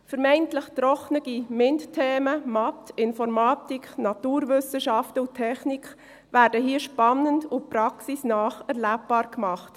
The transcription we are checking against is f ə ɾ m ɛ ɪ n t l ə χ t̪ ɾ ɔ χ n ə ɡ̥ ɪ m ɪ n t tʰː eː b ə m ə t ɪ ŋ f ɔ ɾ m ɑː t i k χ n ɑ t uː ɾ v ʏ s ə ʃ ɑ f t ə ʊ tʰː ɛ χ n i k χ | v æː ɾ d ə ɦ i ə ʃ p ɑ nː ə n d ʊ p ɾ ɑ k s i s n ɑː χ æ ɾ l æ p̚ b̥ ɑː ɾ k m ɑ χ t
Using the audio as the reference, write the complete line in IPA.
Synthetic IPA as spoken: f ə ɾ m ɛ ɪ n t l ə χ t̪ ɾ ɔ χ n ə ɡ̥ i m ɪ n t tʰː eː m ə m ɑ t ɪ n f ɔ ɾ m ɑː t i k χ n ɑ t uː ɾ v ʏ s ə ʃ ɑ f t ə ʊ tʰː ɛ χ n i k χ | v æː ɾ d ə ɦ i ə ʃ p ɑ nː ə n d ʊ p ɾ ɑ k s i s n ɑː χ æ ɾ l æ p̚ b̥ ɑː ɾ k m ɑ χ t